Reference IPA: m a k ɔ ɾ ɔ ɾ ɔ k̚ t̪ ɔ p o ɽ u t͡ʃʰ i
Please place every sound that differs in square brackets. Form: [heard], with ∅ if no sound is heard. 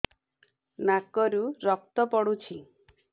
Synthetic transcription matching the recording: [n] a k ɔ ɾ [u] ɾ ɔ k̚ t̪ ɔ p [ɔ] ɽ u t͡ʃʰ i